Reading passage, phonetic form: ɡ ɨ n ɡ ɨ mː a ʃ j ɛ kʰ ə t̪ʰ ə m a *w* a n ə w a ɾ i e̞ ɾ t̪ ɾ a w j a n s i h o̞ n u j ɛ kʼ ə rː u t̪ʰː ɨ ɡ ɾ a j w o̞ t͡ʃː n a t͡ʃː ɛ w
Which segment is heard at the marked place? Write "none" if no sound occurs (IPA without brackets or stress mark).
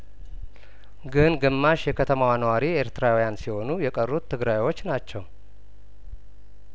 w